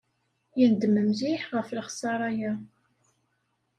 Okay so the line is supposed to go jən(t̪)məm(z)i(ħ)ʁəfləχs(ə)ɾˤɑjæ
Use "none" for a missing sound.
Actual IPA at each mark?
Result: d̪, z, ħ, ɑ

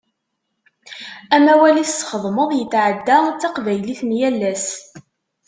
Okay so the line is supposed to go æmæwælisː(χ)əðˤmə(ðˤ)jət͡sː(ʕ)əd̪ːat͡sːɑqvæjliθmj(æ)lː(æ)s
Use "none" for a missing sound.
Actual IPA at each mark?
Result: χ, ðˤ, ʕ, æ, æ

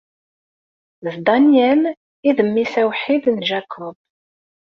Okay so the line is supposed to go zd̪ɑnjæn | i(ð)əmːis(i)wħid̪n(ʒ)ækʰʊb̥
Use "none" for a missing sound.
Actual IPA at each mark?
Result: ð, æ, ʒ

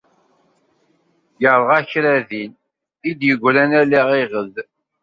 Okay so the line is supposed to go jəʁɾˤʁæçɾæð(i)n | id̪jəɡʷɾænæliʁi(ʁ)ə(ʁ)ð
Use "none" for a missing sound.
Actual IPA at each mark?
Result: i, ʁ, none

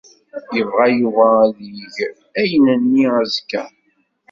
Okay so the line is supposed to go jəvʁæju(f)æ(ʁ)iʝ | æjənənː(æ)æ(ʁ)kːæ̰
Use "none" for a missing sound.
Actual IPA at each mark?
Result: v, ð, i, z

